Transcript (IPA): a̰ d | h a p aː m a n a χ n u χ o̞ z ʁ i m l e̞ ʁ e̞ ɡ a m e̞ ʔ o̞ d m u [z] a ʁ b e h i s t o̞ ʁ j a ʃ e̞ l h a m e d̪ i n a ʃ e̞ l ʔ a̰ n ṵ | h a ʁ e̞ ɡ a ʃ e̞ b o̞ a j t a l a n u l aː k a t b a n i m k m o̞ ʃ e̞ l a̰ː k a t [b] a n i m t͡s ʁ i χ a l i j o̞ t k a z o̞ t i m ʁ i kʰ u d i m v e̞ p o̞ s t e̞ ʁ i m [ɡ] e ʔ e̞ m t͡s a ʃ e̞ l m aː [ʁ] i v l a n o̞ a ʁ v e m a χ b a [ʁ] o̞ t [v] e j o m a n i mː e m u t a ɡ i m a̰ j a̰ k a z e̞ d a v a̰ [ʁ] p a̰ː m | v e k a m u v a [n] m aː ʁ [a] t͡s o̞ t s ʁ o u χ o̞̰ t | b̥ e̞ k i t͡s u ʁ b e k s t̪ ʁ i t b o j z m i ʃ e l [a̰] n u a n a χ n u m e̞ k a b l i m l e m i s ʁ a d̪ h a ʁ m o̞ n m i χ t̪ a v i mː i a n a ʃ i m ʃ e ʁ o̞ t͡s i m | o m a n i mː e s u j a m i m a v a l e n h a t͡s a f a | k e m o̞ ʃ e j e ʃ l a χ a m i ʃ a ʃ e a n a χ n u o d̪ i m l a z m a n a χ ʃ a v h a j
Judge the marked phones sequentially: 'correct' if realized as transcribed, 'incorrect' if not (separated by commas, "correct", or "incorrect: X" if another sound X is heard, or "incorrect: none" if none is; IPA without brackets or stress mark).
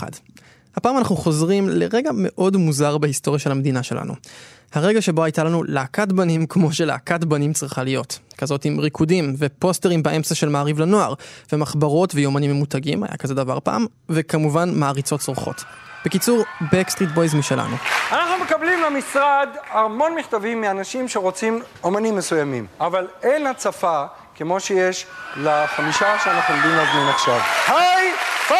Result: correct, correct, incorrect: b, correct, correct, correct, correct, correct, incorrect: i, correct